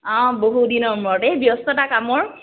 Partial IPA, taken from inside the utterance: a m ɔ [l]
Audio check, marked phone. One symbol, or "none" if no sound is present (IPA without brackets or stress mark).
ɹ